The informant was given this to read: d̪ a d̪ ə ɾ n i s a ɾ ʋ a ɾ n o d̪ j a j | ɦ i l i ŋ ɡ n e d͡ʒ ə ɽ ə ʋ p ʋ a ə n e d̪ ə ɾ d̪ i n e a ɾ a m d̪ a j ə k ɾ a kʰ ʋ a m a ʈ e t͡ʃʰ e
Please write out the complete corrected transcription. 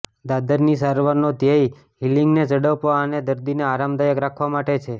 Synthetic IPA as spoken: d̪ a d̪ ə ɾ n i s a ɾ ʋ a ɾ n o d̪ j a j | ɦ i l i ŋ ɡ n e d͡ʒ ə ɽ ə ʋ p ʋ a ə n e d̪ ə ɾ d̪ i n e a ɾ a m d̪ a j ə k ɾ a kʰ ʋ a m a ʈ e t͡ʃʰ e